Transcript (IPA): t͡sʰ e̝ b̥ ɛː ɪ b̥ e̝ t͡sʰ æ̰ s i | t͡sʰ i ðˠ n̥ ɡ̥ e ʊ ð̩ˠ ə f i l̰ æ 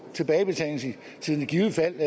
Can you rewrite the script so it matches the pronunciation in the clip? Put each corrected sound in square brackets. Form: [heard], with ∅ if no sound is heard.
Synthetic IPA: t͡sʰ e̝ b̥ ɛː ɪ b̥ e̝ t͡sʰ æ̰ s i | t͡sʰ i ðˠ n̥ ɡ̥ [i] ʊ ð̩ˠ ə f [æ] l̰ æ